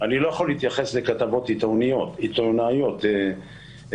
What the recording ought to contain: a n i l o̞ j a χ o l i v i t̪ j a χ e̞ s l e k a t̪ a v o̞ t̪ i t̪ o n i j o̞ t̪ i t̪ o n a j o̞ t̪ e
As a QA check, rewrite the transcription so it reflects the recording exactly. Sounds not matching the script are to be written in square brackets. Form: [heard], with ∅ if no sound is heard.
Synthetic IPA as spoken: a n i l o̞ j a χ o l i [∅] i t̪ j a χ e̞ s l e k a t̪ a v o̞ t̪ i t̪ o n i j o̞ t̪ i t̪ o n a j o̞ t̪ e